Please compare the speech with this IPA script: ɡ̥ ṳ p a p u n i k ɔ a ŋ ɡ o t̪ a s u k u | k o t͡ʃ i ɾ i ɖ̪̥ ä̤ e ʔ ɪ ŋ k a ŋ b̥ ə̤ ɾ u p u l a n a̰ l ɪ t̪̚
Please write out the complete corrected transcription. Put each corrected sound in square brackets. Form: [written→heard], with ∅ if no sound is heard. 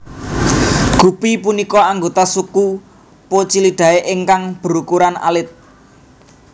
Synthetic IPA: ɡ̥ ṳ p [a→i] p u n i k ɔ a ŋ ɡ o t̪ a s u k u | [k→p] o t͡ʃ i [ɾ→l] i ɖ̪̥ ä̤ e ʔ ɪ ŋ k a ŋ b̥ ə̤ ɾ u [p→k] u [l→ɾ] a n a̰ l ɪ t̪̚